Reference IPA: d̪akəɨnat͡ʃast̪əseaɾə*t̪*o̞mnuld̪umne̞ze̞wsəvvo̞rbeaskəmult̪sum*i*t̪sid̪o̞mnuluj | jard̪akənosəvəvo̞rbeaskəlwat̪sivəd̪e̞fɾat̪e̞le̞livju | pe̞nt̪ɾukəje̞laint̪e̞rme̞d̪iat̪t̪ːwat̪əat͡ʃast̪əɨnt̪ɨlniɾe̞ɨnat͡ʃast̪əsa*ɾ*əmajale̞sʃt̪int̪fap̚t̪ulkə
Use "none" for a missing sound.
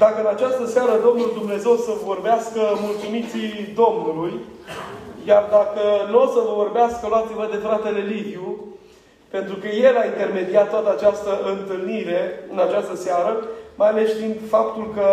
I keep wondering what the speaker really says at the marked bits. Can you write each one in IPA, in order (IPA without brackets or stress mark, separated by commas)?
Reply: d̪, i, ɾ